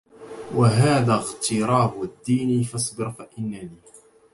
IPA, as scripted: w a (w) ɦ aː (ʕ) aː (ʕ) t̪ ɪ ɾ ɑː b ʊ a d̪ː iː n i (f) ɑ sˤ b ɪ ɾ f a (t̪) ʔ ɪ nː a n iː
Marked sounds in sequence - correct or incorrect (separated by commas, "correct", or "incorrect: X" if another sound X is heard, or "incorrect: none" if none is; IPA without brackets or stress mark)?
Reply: incorrect: none, incorrect: ð, incorrect: ɣ, correct, incorrect: none